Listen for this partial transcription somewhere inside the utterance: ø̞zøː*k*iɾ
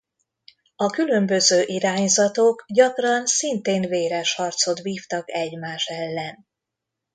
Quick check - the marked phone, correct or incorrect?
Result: incorrect